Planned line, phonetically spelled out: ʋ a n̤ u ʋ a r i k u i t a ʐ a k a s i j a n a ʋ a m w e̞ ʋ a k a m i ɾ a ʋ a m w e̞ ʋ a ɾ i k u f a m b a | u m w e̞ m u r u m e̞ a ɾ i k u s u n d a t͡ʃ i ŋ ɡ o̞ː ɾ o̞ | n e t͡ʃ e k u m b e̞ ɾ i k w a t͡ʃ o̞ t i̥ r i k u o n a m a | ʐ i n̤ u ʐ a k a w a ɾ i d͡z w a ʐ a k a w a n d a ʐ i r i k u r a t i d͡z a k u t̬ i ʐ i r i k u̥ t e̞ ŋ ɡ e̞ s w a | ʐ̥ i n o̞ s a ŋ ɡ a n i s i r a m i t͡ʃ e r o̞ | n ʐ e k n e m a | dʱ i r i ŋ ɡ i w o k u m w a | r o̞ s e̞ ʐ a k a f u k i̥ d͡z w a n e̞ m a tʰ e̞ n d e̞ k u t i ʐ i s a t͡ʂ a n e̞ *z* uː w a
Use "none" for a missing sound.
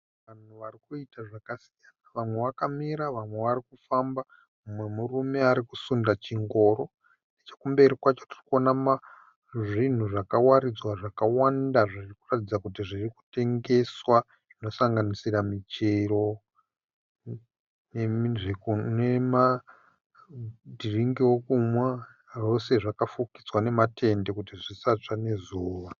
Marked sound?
z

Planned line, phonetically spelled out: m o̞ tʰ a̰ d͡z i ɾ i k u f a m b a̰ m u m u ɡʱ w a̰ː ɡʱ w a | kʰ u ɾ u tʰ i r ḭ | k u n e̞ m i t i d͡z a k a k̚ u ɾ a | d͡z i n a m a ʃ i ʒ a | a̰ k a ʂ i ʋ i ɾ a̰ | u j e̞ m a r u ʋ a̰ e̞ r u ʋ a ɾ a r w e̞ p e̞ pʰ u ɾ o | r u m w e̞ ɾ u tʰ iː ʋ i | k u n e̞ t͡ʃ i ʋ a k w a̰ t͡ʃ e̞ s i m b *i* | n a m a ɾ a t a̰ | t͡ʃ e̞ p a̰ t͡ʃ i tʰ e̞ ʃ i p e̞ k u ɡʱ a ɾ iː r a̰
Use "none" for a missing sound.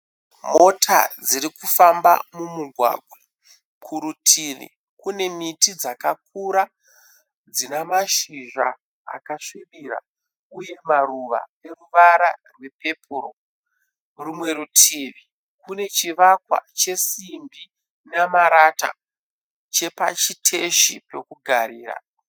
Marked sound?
i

